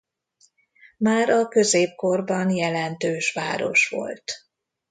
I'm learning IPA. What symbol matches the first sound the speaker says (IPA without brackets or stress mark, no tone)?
m